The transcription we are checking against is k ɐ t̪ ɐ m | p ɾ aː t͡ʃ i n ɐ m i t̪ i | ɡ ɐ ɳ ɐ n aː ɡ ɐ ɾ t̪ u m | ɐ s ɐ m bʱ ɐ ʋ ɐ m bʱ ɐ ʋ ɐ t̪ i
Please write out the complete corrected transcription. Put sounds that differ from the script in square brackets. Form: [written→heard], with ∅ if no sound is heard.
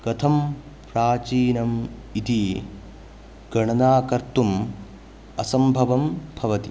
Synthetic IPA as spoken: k ɐ [t̪→t̪ʰ] ɐ m | p ɾ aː t͡ʃ [i→iː] n ɐ m i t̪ i | ɡ ɐ ɳ ɐ n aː [ɡ→k] ɐ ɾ t̪ u m | ɐ s ɐ m bʱ ɐ ʋ ɐ m bʱ ɐ ʋ ɐ t̪ i